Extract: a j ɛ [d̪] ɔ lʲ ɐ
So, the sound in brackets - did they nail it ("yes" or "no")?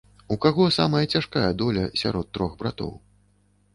yes